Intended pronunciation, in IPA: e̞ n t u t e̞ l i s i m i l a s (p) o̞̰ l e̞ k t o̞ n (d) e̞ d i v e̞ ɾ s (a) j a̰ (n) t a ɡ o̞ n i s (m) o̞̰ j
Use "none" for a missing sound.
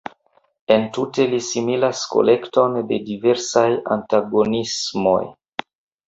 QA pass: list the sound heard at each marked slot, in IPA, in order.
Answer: k, d, a, n, m

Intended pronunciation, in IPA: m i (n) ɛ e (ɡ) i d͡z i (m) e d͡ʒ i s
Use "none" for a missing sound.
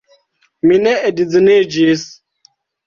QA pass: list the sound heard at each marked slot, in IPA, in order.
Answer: n, d, n

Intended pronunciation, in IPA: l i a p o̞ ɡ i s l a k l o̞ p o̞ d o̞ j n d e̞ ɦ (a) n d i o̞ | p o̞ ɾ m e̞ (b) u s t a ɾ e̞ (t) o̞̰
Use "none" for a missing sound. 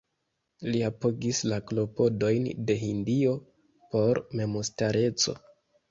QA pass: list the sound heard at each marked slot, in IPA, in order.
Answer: i, m, t͡s

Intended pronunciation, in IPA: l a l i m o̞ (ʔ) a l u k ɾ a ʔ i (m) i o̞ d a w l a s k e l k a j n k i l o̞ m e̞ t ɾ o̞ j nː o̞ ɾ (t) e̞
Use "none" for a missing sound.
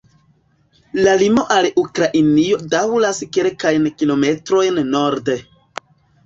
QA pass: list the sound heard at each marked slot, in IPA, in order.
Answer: ʔ, n, d

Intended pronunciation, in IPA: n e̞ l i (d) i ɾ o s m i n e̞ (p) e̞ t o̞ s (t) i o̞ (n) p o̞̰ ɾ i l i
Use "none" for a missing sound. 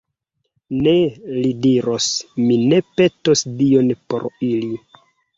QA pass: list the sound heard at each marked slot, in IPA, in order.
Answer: d, p, d, n

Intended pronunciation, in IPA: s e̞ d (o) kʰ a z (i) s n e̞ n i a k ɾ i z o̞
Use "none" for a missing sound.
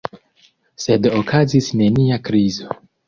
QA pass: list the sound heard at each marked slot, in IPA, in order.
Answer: o, i

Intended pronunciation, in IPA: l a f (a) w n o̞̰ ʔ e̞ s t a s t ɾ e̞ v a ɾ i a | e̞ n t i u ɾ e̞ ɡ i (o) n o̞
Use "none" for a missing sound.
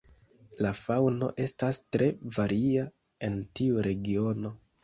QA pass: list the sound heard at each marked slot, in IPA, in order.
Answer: a, o

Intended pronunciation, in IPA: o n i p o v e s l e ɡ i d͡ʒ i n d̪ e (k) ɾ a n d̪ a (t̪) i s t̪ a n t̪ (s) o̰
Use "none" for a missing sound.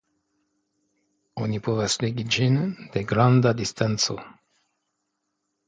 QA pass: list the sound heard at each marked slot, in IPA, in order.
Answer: ɡ, d̪, s

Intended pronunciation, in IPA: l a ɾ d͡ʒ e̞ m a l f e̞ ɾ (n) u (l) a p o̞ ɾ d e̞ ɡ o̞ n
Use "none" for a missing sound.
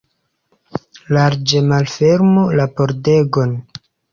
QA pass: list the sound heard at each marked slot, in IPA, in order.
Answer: m, l

